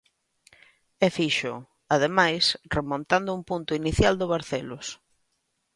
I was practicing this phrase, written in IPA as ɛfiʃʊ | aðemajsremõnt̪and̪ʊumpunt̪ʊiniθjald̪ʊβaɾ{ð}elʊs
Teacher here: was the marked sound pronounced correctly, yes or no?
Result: no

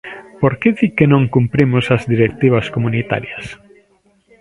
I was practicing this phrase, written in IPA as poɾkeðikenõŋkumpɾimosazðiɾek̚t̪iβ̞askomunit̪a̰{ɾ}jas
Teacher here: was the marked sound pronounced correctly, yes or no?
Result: yes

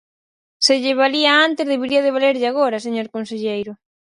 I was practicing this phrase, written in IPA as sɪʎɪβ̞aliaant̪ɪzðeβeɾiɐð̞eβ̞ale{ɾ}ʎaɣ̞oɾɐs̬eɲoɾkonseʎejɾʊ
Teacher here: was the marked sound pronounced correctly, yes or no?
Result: yes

